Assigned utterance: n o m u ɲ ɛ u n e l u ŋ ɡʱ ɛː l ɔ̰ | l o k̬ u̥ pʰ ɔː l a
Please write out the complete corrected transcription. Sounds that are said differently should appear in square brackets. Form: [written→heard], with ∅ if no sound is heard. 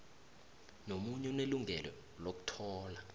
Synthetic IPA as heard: n o m u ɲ ɛ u n e l u ŋ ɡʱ [ɛː→ɛ] l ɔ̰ | l o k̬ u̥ [pʰ→tʰ] ɔː l a